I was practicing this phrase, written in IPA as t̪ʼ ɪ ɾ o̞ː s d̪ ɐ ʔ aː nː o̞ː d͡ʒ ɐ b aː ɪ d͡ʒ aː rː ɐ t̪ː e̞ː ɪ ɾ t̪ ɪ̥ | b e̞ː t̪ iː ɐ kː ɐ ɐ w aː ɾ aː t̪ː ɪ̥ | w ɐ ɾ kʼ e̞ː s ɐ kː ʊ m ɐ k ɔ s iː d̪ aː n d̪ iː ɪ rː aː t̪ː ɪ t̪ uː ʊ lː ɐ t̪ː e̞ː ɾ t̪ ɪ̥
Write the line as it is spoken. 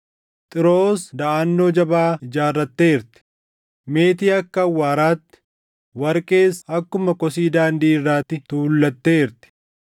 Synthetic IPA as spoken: t̪ʼ ɪ ɾ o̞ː s d̪ ɐ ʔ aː nː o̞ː d͡ʒ ɐ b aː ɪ d͡ʒ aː rː ɐ t̪ː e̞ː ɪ ɾ t̪ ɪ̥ | m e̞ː t̪ iː ɐ kː ɐ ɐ wː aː ɾ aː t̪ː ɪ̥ | w ɐ ɾ kʼ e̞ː s ɐ kː ʊ m ɐ k ɔ s iː d̪ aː n d̪ iː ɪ rː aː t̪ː ɪ t̪ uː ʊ lː ɐ t̪ː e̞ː ɾ t̪ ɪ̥